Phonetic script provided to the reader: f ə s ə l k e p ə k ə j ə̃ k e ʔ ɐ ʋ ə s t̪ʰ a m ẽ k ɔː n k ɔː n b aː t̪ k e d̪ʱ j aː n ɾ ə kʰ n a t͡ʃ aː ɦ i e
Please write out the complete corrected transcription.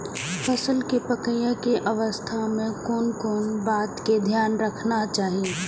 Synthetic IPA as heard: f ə s ə l k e p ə k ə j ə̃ k e ʔ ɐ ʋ ə s t̪ʰ a m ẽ k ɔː n k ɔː n b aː t̪ k e d̪ʱ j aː n ɾ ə kʰ n a t͡ʃ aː ɦ i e